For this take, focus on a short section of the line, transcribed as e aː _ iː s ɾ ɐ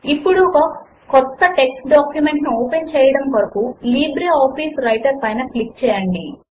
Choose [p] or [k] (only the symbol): p